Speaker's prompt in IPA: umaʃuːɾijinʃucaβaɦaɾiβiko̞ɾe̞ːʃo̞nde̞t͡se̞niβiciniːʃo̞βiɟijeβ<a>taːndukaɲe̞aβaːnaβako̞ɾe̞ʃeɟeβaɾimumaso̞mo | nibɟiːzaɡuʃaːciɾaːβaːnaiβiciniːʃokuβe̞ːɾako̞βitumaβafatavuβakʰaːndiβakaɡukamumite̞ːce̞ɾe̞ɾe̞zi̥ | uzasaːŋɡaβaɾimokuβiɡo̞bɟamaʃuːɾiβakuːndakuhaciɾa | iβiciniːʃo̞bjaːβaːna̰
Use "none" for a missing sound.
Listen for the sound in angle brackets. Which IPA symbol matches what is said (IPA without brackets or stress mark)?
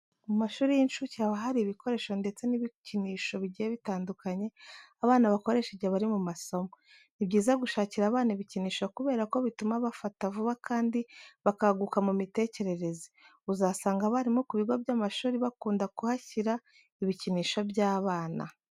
i